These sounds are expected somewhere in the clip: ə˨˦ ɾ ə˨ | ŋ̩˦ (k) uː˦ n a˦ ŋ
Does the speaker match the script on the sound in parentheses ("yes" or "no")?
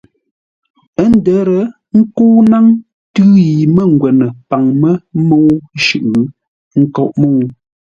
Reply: yes